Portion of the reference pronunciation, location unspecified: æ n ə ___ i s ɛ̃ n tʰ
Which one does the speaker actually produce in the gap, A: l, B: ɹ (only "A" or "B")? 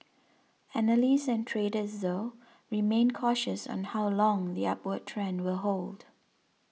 A